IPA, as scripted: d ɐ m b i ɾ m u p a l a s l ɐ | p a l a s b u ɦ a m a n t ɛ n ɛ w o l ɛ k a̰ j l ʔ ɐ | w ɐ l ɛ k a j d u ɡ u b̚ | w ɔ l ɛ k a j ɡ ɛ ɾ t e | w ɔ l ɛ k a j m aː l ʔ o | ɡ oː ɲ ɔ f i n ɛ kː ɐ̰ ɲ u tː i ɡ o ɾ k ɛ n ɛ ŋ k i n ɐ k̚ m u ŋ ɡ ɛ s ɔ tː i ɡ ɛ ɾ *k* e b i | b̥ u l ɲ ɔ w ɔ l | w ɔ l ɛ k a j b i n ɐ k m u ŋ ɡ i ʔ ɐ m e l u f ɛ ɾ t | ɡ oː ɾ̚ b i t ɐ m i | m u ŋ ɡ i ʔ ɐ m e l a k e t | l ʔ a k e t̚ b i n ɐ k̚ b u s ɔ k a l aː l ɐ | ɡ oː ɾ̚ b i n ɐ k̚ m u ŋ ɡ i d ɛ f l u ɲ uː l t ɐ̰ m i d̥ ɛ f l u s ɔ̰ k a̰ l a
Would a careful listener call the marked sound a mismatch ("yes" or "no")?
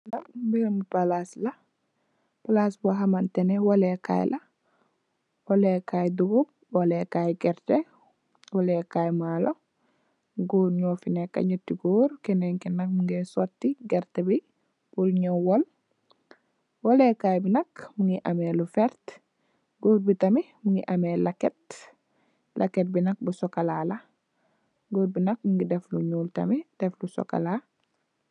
yes